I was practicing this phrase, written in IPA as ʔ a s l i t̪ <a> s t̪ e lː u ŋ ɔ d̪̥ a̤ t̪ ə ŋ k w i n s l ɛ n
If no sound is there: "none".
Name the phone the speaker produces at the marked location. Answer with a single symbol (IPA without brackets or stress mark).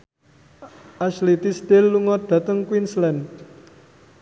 i